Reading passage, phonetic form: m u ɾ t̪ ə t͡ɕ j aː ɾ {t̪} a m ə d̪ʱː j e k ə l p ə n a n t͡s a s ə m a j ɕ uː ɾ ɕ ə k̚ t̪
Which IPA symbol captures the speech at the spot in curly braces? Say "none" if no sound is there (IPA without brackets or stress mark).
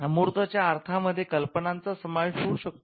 t̪ʰ